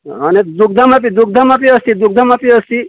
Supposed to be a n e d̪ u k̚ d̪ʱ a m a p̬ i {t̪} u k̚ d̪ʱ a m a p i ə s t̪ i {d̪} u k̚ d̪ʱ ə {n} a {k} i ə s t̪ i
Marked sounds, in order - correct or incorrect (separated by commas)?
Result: incorrect, correct, incorrect, incorrect